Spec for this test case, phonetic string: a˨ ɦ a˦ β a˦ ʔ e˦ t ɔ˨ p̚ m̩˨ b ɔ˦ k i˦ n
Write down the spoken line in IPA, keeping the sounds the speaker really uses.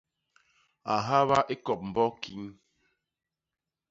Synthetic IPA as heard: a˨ ɦ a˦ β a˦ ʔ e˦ k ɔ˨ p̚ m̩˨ b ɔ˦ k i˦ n